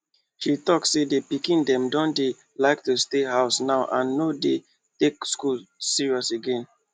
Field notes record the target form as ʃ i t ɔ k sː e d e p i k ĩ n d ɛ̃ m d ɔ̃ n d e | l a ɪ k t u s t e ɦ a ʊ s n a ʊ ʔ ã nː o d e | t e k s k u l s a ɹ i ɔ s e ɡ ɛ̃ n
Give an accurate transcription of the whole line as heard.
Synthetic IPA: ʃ i t ɔ k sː e d e p i k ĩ n d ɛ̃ m d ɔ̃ n d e | l a ɪ k t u s t e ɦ a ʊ s n a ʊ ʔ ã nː o d e | t e k s k u l s i ɹ i ɔ s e ɡ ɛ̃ n

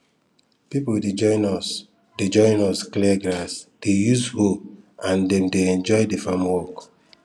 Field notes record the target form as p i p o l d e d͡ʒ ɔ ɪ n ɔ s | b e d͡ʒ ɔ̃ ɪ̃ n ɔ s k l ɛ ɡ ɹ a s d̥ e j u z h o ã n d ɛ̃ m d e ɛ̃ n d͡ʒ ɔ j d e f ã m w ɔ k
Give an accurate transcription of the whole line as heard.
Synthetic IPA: p i p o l d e d͡ʒ ɔ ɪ n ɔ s | d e d͡ʒ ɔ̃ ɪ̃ n ɔ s k l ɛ ɡ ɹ a s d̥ e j u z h o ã n d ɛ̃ m d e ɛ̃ n d͡ʒ ɔ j d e f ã m w ɔ k

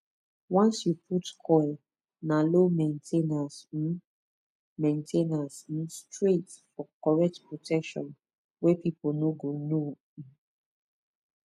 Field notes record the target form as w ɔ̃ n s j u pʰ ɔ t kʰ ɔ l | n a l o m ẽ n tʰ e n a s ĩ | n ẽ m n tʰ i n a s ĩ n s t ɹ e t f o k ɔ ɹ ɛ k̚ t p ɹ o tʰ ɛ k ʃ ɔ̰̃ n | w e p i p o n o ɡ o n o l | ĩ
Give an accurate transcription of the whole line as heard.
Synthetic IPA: w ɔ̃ n s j u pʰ u t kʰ ɔ l | n a l o m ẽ n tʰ e n a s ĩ | m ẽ n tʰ e n a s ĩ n s t ɹ e t f ɔ k ɔ ɹ ɛ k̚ t p ɹ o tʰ ɛ k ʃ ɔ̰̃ n | w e p i p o n o ɡ o n o | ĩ

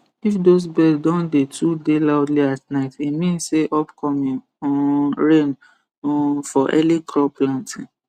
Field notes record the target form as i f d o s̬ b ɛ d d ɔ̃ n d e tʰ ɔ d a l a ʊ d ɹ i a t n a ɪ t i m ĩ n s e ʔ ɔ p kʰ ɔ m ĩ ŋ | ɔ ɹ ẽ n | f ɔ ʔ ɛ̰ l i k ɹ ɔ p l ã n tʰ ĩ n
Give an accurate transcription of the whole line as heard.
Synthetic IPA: i f d o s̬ b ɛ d d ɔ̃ n d e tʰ u d e l a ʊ d l i a t n a ɪ t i m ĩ n s e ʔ ɔ p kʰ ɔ m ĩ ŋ | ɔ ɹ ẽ n | f ɔ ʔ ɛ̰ l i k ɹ ɔ p l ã n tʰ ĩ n

